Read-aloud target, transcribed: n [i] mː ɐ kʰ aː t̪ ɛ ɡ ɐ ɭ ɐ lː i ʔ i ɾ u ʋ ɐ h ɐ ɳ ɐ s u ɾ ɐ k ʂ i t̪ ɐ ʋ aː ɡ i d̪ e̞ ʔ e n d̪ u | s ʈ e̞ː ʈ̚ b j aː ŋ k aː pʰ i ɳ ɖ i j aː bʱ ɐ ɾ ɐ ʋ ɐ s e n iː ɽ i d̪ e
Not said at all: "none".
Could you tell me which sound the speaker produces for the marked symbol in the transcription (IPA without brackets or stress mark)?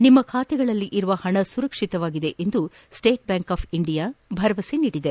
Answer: i